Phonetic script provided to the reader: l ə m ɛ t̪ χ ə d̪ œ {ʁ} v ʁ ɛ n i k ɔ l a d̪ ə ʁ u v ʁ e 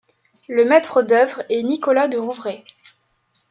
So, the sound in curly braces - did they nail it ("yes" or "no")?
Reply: no